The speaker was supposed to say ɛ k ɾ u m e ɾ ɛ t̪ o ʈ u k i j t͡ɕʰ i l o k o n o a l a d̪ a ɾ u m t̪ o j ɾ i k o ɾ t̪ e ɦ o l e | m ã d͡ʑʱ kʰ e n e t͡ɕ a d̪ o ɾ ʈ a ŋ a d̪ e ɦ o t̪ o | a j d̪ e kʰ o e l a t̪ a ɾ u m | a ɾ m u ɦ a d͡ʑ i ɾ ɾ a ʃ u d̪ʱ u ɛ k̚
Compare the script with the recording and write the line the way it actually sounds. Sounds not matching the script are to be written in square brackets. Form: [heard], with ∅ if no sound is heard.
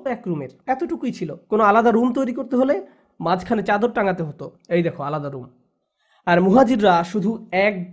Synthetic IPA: ɛ k ɾ u m e ɾ ɛ t̪ o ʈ u k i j t͡ɕʰ i l o k o n o a l a d̪ a ɾ u m t̪ o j ɾ i k o ɾ t̪ e ɦ o l e | m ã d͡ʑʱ kʰ [a] n e t͡ɕ a d̪ o ɾ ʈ a ŋ a [t̪] e ɦ o t̪ o | [e] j d̪ e kʰ o [a] l a [d̪] a ɾ u m | a ɾ m u ɦ a d͡ʑ i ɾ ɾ a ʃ u d̪ʱ u ɛ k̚